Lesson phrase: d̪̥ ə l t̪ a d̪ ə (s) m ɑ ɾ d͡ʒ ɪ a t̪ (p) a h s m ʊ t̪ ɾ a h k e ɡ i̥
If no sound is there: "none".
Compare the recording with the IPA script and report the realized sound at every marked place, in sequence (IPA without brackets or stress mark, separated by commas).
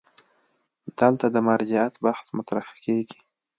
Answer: none, b